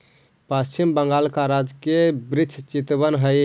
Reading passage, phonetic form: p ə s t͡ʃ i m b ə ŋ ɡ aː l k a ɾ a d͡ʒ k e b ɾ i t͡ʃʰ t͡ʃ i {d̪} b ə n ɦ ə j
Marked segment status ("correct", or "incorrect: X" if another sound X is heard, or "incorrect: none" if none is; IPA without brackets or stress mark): incorrect: t̪